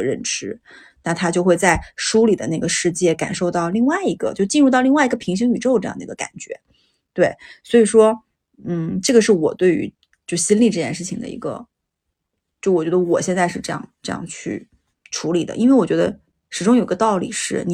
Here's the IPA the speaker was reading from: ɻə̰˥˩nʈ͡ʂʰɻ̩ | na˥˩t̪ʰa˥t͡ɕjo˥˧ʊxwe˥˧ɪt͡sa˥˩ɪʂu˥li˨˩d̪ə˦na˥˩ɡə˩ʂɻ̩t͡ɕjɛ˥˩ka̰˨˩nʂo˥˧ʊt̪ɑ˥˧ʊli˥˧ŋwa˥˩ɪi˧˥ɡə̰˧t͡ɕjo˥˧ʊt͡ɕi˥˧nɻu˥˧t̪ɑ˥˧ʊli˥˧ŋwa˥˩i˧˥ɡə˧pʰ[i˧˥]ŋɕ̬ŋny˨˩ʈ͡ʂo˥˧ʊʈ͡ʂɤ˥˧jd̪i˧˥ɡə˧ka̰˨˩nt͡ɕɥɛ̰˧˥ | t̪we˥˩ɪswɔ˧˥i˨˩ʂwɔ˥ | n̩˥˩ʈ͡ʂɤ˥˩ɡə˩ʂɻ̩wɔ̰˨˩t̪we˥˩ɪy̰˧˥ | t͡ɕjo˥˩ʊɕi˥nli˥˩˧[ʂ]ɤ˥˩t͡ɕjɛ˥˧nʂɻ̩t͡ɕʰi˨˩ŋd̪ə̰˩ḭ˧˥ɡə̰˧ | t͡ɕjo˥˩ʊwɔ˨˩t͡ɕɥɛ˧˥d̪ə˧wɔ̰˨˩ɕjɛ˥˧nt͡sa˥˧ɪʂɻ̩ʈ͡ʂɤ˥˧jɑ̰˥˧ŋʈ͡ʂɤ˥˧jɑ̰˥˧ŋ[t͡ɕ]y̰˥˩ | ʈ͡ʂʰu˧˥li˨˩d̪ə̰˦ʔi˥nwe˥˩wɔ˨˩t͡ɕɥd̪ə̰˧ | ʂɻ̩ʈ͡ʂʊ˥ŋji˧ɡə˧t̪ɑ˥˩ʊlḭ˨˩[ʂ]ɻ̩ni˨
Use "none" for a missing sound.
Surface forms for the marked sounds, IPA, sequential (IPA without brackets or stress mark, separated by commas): i˧˥, ʈ͡ʂ, t͡ɕʰ, ʂ